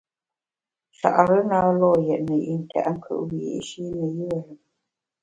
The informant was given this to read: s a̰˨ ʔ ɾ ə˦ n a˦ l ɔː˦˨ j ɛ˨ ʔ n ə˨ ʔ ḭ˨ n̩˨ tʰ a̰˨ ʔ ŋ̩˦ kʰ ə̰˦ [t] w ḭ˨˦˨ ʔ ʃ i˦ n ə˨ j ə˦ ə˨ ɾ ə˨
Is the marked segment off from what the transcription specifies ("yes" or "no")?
yes